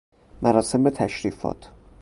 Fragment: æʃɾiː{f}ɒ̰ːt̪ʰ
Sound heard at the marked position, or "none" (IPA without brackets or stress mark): f